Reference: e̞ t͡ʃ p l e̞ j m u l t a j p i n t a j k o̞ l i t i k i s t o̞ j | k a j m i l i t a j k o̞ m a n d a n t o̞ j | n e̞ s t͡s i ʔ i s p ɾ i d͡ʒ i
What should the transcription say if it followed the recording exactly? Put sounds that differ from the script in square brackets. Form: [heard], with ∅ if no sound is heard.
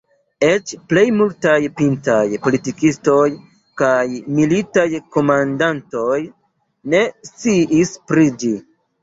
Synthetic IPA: e̞ t͡ʃ p l e̞ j m u l t a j p i n t a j [p] o̞ l i t i k i s t o̞ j | k a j m i l i t a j k o̞ m a n d a n t o̞ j | n e̞ s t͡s i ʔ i s p ɾ i d͡ʒ i